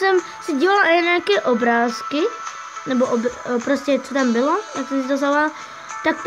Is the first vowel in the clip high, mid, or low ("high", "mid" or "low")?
mid